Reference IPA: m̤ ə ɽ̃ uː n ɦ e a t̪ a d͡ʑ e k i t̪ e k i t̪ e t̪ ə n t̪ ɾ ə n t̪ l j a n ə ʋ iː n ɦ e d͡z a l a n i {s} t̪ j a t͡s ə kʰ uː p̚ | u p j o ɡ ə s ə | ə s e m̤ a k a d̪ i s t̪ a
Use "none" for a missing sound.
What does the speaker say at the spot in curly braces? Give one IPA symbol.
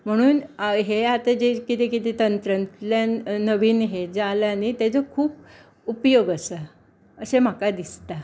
none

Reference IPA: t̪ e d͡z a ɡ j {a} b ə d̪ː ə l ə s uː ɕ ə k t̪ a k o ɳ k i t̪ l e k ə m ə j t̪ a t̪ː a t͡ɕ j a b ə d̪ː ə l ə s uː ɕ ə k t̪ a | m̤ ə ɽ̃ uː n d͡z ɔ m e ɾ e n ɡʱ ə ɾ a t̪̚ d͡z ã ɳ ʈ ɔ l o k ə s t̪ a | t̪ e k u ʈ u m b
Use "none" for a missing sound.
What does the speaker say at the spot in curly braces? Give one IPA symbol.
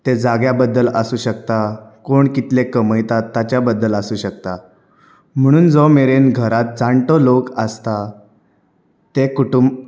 a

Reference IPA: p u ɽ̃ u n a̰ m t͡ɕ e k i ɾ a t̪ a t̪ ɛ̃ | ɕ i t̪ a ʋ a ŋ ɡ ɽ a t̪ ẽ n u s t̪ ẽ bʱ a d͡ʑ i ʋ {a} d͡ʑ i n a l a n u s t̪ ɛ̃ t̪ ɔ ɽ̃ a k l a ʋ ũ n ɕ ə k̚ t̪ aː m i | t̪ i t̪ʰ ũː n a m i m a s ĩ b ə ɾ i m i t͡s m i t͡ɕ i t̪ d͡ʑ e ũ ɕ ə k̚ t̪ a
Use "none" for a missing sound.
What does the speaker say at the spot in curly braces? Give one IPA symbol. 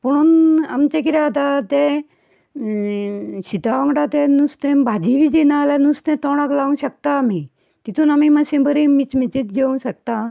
i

